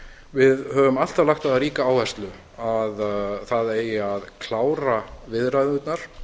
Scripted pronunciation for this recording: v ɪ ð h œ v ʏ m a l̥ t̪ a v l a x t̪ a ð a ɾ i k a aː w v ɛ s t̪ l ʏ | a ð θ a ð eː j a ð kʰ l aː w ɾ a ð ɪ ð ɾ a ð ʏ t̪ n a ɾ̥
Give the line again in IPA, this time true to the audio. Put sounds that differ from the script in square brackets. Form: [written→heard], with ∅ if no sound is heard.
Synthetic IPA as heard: v ɪ ð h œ v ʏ m a l̥ t̪ a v l a x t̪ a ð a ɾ [i→iː] k a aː w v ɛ s t̪ l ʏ | a ð θ a ð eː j a ð kʰ l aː w ɾ a [ð→v] ɪ ð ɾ a ð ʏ t̪ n a ɾ̥

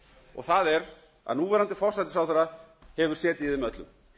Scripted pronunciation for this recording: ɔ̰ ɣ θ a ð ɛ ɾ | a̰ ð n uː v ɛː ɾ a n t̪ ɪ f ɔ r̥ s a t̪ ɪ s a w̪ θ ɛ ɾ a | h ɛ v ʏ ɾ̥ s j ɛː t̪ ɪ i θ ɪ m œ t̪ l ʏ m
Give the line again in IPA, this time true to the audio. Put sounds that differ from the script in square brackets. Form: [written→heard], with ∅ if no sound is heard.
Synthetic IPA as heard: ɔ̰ ɣ θ a ð ɛ ɾ | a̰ ð n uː v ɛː ɾ a n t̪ ɪ f ɔ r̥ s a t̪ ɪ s a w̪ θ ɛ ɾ a | h ɛ v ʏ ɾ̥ s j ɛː t̪ ɪ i [θ→ð] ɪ m œ t̪ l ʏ m

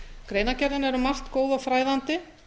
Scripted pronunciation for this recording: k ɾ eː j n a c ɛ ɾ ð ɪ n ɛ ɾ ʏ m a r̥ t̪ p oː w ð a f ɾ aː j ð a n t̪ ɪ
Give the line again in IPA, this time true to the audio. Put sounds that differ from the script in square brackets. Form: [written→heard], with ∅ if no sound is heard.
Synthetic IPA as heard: k ɾ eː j n a c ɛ ɾ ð ɪ n ɛ ɾ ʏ m a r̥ t̪ [p→k] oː w ð a f ɾ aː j ð a n t̪ ɪ

